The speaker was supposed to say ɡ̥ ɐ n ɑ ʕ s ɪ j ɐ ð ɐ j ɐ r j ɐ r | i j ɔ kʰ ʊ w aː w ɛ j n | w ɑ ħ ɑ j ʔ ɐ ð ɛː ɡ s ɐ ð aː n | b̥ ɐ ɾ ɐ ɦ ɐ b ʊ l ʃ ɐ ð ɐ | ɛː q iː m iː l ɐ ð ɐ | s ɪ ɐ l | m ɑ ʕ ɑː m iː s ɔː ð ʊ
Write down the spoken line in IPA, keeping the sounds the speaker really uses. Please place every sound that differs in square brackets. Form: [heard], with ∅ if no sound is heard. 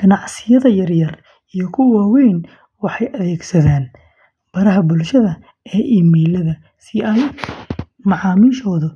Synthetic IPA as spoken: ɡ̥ ɐ n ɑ ʕ s ɪ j ɐ ð ɐ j ɐ r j ɐ r | i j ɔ kʰ ʊ w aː w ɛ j n | w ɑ ħ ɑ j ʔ ɐ ð ɛː ɡ s ɐ ð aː n | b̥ ɐ ɾ ɐ ɦ ɐ b ʊ l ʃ ɐ ð ɐ | ɛː [ʔ] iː m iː l ɐ ð ɐ | s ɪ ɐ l | m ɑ ʕ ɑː m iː [ʃ] ɔː ð ʊ